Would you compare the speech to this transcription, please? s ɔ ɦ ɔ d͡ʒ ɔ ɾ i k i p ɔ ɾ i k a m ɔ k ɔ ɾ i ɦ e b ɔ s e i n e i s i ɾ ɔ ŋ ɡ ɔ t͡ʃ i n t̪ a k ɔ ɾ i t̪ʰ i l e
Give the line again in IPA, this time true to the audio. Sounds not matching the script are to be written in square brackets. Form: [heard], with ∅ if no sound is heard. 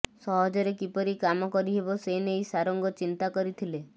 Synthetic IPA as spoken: s ɔ ɦ ɔ d͡ʒ ɔ ɾ [e] k i p ɔ ɾ i k a m ɔ k ɔ ɾ i ɦ e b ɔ s e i n e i s [a] ɾ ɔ ŋ ɡ ɔ t͡ʃ i n t̪ a k ɔ ɾ i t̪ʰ i l e